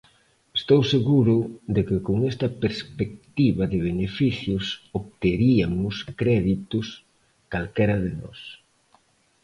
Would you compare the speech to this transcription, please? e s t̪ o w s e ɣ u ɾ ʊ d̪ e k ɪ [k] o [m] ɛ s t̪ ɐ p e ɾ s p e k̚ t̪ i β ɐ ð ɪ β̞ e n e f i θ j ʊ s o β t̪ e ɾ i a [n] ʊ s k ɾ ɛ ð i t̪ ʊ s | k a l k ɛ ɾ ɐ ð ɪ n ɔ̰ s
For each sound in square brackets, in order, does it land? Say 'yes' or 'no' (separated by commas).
yes, no, no